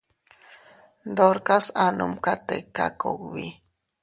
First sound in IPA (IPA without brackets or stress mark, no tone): d̪